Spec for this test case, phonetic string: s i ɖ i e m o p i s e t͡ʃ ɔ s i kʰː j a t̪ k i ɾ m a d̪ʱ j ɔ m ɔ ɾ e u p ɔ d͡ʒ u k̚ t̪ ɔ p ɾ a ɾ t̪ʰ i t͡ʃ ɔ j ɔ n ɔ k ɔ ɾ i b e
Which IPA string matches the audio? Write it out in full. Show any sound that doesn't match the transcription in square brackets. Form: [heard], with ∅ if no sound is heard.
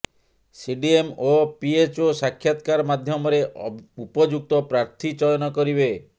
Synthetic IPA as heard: s i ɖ i e m o p i [∅] e t͡ʃ [o] s [a] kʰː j a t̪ k [a] ɾ m a d̪ʱ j ɔ m ɔ ɾ e u p ɔ d͡ʒ u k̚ t̪ ɔ p ɾ a ɾ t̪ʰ i t͡ʃ ɔ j ɔ n ɔ k ɔ ɾ i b e